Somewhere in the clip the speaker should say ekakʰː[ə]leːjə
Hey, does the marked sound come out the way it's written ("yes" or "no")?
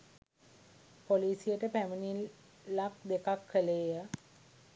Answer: yes